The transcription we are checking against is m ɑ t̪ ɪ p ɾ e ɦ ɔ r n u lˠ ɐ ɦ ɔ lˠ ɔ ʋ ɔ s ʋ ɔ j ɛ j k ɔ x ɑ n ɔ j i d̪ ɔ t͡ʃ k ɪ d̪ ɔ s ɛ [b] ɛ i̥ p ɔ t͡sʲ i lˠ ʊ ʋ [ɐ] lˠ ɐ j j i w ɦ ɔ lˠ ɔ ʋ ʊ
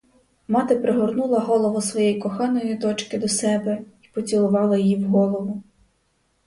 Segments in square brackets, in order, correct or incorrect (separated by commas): correct, incorrect